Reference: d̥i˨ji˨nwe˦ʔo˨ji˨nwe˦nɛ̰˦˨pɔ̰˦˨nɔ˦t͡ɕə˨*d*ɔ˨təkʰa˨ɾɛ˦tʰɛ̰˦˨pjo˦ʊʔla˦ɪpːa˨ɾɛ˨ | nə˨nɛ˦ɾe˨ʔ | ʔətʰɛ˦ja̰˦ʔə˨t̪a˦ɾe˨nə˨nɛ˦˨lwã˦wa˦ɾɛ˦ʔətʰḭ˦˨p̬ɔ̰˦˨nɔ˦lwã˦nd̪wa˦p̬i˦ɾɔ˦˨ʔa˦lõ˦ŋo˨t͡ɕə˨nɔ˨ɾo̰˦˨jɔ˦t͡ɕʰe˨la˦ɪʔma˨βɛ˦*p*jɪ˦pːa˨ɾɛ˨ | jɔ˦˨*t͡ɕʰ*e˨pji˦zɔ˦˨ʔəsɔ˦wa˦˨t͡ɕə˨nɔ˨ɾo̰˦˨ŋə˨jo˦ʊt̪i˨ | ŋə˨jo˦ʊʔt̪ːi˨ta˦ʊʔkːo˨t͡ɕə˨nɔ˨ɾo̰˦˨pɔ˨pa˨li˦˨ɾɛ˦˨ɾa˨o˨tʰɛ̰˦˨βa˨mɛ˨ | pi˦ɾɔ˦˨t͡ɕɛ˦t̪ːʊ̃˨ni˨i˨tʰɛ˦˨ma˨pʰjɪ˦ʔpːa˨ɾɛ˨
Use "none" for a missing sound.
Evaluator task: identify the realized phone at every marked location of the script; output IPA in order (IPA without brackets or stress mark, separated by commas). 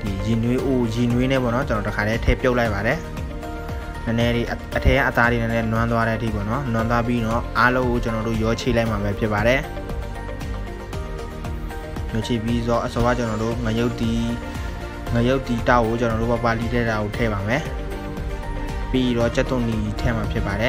n, pʰ, t͡ɕʰ